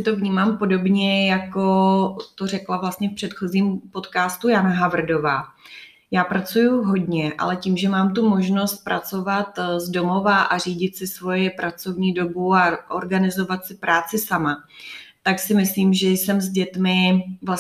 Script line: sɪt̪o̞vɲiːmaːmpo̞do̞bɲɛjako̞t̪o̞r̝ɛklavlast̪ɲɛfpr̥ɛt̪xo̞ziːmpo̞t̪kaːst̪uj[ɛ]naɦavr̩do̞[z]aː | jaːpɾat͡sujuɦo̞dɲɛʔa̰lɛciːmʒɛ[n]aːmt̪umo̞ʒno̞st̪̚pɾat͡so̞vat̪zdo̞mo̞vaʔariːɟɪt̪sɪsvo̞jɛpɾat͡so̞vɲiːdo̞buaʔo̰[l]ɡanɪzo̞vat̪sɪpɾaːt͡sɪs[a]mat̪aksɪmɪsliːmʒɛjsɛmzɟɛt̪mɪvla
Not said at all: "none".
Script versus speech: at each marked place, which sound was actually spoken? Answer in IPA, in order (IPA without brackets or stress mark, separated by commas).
a, v, m, ɾ, a